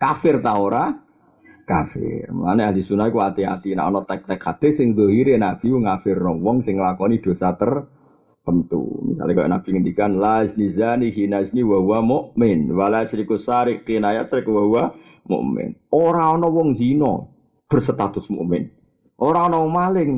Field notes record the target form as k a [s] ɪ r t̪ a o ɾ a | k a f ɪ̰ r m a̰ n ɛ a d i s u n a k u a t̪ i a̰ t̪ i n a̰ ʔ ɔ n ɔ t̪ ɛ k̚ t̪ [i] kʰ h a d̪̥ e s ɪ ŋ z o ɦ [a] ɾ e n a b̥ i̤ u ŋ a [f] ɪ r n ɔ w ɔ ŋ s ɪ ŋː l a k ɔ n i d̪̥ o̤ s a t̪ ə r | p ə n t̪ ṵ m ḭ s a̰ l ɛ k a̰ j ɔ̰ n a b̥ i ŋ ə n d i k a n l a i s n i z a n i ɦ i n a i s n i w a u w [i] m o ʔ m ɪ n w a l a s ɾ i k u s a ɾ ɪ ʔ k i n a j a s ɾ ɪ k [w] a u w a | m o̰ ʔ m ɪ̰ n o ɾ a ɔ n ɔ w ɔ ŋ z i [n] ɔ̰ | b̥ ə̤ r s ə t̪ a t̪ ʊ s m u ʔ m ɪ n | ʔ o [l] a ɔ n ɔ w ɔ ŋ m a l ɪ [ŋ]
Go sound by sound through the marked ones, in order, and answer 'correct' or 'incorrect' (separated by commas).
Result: incorrect, incorrect, incorrect, correct, incorrect, correct, correct, incorrect, correct